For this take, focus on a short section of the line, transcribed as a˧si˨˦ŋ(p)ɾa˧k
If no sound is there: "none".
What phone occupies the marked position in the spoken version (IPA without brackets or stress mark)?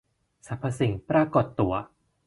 p